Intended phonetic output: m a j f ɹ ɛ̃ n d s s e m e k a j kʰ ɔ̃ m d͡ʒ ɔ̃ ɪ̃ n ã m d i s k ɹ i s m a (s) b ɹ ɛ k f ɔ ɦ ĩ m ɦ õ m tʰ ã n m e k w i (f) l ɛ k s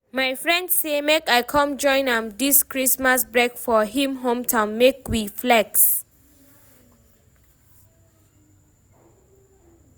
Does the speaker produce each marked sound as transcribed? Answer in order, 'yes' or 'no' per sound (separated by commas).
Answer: yes, yes